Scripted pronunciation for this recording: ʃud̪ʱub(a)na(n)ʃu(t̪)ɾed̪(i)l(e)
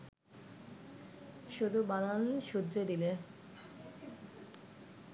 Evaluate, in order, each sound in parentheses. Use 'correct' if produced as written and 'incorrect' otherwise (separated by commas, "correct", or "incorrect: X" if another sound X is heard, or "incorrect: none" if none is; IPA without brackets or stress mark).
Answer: correct, correct, incorrect: d̪, correct, correct